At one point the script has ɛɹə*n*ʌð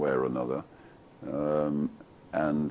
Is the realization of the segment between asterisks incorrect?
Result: no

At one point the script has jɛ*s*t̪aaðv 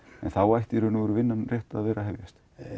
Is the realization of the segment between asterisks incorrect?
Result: yes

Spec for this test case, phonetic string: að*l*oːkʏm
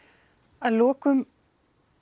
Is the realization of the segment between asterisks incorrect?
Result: no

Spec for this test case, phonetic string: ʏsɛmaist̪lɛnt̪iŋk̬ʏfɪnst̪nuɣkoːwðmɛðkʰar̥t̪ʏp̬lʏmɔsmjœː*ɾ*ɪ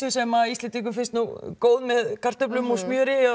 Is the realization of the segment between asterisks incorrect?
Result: no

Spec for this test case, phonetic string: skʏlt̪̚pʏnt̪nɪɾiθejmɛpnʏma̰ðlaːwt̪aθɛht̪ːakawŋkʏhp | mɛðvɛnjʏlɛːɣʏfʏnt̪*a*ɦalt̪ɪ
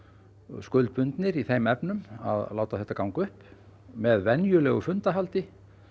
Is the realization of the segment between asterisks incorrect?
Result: no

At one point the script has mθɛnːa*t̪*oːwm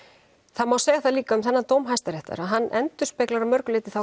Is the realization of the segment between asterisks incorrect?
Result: no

